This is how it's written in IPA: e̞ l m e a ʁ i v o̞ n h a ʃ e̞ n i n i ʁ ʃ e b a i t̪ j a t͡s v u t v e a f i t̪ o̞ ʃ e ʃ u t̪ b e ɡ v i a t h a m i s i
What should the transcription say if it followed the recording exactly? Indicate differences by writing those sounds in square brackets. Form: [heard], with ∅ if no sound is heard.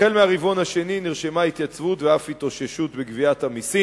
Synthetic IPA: e̞ l m e a ʁ i v o̞ n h a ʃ e̞ n i n i ʁ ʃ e [m] a i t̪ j a t͡s v u t v e a f i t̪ o̞ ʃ e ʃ u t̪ b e ɡ v i a t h a m i s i